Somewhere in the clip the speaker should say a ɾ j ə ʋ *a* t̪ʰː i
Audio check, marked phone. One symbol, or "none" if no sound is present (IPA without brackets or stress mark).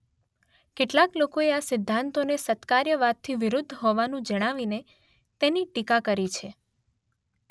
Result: a